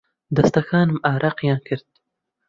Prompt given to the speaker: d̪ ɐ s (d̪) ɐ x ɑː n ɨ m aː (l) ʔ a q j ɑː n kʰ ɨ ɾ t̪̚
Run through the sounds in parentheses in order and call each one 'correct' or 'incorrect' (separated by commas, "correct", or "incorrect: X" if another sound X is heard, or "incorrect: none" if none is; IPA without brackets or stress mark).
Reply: incorrect: t̪, incorrect: ɾ